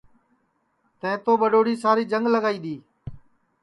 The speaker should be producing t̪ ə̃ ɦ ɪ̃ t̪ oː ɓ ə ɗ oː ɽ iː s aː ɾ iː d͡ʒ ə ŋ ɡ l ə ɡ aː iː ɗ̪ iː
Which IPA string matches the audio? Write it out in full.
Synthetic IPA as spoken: t̪ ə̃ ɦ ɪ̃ t̪ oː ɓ ə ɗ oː ɽ iː s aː ɾ iː d͡ʒ ə ŋ ɡ l ə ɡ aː iː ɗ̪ iː